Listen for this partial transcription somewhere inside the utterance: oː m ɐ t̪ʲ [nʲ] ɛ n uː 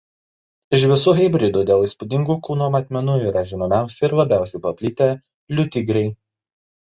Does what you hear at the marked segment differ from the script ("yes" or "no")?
yes